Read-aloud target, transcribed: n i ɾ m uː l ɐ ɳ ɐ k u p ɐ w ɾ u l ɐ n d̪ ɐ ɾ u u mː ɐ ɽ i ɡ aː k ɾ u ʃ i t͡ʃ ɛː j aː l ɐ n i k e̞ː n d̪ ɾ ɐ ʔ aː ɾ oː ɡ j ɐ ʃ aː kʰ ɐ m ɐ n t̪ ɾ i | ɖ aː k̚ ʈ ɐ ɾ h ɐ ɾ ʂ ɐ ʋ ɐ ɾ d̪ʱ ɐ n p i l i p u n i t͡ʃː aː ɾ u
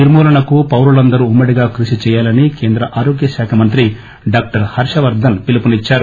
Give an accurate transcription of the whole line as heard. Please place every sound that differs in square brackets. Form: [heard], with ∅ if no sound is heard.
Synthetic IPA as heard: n i ɾ m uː l ɐ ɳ ɐ k u p ɐ w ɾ u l ɐ n d̪ ɐ ɾ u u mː ɐ ɽ i ɡ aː k ɾ u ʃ i t͡ʃ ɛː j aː l ɐ n i k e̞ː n d̪ ɾ ɐ ʔ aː ɾ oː ɡ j ɐ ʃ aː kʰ ɐ m ɐ n t̪ ɾ i | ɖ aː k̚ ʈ ɐ ɾ h ɐ ɾ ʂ ɐ ʋ ɐ ɾ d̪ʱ ɐ n p i l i p u n i t͡ʃː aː ɾ u

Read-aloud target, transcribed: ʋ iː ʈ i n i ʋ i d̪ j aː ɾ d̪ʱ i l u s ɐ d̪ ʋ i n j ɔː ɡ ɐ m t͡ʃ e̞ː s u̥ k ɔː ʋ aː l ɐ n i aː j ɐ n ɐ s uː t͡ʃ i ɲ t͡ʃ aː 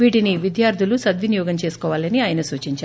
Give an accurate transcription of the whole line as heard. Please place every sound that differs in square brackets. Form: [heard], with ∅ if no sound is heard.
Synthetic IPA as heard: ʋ iː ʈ i n i ʋ i d̪ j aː ɾ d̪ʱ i l u s ɐ d̪ ʋ i n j ɔː ɡ ɐ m t͡ʃ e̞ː s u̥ k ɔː ʋ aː l ɐ n i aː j ɐ n ɐ s uː t͡ʃ i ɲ t͡ʃ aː

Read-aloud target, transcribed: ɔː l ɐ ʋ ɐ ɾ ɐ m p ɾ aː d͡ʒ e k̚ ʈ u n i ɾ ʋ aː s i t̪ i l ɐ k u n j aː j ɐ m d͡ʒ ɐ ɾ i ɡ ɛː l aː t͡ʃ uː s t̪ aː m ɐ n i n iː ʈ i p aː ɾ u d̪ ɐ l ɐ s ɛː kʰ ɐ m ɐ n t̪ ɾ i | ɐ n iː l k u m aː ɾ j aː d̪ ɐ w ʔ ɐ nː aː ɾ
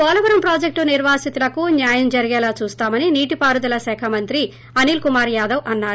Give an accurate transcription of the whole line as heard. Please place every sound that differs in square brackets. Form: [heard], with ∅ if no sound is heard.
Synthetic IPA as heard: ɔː l ɐ ʋ ɐ ɾ ɐ m p ɾ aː d͡ʒ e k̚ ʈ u n i ɾ ʋ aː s i t̪ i l ɐ k u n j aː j ɐ m d͡ʒ ɐ ɾ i ɡ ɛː l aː t͡ʃ uː s t̪ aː m ɐ n i n iː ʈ i p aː ɾ u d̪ ɐ l ɐ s ɛː kʰ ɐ m ɐ n t̪ ɾ i | ɐ n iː l k u m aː ɾ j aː d̪ ɐ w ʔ ɐ nː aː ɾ

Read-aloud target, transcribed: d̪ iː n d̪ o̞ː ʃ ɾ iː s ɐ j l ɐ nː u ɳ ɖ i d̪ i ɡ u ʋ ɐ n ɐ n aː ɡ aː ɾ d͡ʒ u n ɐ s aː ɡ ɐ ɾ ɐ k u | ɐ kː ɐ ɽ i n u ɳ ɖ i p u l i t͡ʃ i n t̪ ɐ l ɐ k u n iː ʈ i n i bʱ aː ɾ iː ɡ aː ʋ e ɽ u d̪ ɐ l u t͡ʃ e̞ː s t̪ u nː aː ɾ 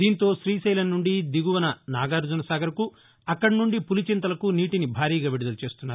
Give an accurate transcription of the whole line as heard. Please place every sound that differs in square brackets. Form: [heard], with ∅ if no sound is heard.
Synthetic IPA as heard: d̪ iː n [t̪] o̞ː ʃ ɾ iː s ɐ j l ɐ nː u ɳ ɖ i d̪ i ɡ u ʋ ɐ n ɐ n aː ɡ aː ɾ d͡ʒ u n ɐ s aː ɡ ɐ ɾ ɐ k u | ɐ kː ɐ ɽ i n u ɳ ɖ i p u l i t͡ʃ i n t̪ ɐ l ɐ k u n iː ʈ i n i bʱ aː ɾ iː ɡ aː ʋ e ɽ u d̪ ɐ l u t͡ʃ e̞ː s t̪ u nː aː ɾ

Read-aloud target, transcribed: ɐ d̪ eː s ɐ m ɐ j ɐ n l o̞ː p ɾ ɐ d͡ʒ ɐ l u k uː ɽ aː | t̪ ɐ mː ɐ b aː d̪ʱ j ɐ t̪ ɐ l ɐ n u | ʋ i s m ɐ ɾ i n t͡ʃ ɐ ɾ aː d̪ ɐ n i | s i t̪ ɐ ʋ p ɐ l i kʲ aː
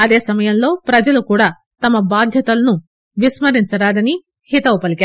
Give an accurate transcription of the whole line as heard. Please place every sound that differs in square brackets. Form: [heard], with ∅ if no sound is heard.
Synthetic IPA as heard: ɐ d̪ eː s ɐ m ɐ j ɐ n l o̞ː p ɾ ɐ d͡ʒ ɐ l u k uː ɽ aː | t̪ ɐ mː ɐ b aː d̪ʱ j ɐ t̪ ɐ l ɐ n u | ʋ i s m ɐ ɾ i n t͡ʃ ɐ ɾ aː d̪ ɐ n i | [h] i t̪ ɐ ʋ p ɐ l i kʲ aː

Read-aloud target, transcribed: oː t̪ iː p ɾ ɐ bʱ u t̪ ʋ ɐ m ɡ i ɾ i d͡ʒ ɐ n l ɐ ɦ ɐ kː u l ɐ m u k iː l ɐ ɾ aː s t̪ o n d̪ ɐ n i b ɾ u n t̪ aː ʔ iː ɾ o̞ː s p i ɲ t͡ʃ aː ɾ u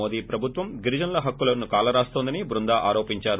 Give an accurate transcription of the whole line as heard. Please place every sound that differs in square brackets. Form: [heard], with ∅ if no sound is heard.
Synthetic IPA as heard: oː [d̪] iː p ɾ ɐ bʱ u t̪ ʋ ɐ m ɡ i ɾ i d͡ʒ ɐ n l ɐ ɦ ɐ kː u l ɐ [n] u k [aː] l ɐ ɾ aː s t̪ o n d̪ ɐ n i b ɾ u n [d̪] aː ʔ [aː] ɾ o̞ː [∅] p i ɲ t͡ʃ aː ɾ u

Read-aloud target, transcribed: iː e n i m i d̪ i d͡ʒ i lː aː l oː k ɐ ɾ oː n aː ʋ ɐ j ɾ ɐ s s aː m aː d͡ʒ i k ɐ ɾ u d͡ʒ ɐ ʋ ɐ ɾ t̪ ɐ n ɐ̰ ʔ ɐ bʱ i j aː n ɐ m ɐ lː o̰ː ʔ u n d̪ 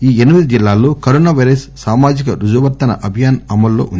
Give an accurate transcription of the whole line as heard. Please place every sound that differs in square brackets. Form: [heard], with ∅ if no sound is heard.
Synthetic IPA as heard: iː e n i m i d̪ i d͡ʒ i lː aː l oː k ɐ ɾ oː n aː ʋ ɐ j ɾ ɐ s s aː m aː d͡ʒ i k ɐ ɾ u d͡ʒ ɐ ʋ ɐ ɾ t̪ ɐ n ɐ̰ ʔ ɐ bʱ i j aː n ɐ m ɐ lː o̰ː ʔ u n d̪

